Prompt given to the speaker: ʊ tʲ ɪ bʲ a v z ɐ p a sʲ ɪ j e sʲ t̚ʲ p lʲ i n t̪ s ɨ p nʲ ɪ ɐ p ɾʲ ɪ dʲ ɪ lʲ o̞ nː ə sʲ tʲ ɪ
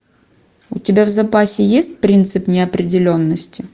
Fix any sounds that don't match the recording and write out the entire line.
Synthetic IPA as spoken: ʊ tʲ ɪ bʲ a v z ɐ p a sʲ ɪ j e sʲ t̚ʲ p ɾʲ i n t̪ s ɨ p nʲ ɪ ɐ p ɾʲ ɪ dʲ ɪ lʲ o̞ nː ə sʲ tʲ ɪ